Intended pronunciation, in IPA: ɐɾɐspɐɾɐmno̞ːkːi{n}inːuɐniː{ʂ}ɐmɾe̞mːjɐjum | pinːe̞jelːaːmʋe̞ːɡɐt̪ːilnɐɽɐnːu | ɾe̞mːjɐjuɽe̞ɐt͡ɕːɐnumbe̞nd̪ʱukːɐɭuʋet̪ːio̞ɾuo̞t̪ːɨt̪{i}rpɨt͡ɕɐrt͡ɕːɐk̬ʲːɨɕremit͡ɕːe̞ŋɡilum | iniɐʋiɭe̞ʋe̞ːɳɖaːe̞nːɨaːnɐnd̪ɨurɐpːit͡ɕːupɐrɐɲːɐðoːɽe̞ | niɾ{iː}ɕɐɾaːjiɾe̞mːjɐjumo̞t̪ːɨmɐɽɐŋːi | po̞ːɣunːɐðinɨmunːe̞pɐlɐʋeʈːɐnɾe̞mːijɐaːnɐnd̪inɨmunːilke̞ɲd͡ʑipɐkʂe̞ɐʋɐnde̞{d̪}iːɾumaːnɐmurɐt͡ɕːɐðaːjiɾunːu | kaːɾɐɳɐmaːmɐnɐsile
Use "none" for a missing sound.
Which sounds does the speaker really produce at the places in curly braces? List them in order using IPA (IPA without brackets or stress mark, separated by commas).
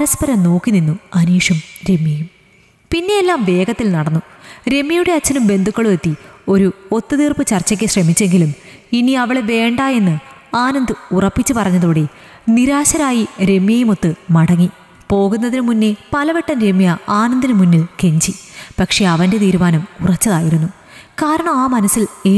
n, ʂ, iː, aː, t̪